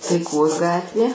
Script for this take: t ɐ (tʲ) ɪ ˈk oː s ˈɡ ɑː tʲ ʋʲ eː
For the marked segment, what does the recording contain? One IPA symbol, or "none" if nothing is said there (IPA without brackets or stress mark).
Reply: none